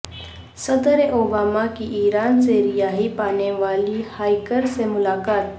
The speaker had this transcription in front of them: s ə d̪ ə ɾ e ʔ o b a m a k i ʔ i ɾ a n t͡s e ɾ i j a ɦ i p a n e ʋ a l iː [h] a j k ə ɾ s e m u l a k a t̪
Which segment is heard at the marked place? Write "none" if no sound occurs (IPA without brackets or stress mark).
h